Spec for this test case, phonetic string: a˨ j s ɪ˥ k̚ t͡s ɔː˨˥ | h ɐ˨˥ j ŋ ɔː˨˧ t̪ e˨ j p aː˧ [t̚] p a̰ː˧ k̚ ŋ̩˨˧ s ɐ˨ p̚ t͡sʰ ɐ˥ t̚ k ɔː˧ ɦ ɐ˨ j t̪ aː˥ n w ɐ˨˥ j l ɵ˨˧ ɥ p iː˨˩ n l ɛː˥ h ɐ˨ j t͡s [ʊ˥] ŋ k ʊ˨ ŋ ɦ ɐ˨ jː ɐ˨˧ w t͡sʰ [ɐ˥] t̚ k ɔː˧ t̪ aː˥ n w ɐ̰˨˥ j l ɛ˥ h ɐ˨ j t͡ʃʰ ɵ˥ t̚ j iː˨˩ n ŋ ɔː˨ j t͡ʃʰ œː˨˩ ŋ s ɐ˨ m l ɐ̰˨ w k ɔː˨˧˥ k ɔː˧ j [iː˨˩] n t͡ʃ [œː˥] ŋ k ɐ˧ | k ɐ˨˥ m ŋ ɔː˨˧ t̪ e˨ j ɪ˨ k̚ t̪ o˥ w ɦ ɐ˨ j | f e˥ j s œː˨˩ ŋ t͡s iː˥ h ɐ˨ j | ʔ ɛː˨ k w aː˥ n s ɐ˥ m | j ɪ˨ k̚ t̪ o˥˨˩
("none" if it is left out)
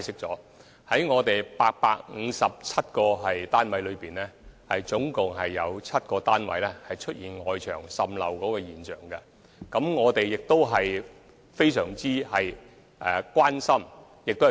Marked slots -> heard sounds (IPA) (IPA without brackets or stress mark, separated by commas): k̚, ʊ˨˥, ɐ˥, iː˨˩, œː˨˩